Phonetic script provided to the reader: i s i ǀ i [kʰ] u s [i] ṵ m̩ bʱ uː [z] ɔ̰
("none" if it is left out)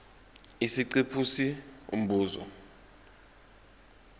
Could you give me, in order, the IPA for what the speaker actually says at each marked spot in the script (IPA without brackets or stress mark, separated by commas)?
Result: pʰ, i, z